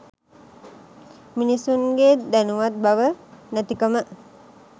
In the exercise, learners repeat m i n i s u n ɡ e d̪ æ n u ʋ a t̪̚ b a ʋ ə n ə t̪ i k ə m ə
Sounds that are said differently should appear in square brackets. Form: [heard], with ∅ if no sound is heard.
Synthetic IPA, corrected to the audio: m i n i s u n ɡ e d̪ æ n u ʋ a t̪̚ b a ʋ ə n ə t̪ i k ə m ə